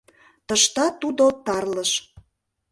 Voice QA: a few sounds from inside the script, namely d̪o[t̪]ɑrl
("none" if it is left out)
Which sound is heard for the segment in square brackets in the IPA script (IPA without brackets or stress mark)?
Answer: t̪